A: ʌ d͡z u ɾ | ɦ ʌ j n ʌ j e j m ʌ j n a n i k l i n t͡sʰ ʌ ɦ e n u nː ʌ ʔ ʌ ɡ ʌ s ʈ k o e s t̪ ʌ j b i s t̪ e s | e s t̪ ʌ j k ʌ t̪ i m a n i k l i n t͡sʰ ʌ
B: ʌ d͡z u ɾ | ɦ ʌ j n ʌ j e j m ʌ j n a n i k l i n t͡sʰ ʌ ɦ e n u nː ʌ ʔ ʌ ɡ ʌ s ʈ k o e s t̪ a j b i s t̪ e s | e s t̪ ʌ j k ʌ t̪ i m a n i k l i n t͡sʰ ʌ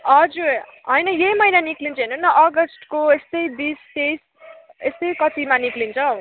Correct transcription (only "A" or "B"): A